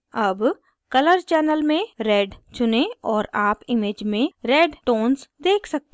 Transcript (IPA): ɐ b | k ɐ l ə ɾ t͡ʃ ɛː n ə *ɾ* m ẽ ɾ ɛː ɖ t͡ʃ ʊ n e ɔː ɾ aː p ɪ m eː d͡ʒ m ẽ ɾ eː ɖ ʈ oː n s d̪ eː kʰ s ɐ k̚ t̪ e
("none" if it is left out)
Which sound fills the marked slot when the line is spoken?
l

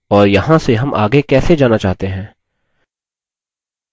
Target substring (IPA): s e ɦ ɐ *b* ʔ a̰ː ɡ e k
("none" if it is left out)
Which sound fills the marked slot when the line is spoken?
m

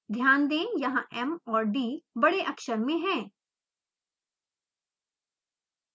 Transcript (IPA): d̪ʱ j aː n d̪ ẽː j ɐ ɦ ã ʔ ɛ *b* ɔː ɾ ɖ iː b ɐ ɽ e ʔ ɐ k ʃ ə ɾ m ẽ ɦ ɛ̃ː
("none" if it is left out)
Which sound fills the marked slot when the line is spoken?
m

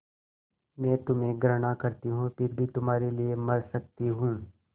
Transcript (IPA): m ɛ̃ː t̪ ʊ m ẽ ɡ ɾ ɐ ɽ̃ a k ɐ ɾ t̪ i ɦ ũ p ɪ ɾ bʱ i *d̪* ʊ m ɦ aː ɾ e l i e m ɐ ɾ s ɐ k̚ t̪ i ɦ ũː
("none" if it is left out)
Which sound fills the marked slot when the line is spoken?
t̪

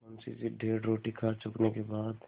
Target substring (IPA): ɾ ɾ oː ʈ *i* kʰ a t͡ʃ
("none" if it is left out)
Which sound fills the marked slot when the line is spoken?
i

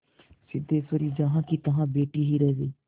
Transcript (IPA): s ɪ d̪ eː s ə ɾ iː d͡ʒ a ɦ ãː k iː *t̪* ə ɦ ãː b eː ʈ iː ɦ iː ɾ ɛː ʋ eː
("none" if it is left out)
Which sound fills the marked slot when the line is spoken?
t̪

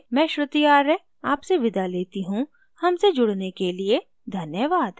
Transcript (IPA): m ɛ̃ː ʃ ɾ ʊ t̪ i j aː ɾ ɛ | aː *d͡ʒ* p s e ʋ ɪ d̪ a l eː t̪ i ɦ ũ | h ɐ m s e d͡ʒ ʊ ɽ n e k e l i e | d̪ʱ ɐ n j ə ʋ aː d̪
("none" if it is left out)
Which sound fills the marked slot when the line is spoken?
none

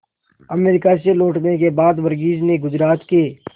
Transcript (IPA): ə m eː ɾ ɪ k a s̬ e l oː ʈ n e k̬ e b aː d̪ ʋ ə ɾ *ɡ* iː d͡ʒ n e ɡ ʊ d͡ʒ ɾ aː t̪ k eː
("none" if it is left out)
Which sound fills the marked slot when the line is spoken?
ɡ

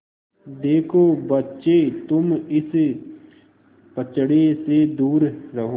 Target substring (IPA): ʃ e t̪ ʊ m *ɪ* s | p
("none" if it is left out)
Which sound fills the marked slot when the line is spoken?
ɪ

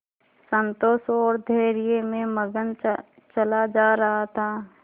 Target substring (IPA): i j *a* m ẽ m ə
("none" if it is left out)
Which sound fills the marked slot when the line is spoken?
e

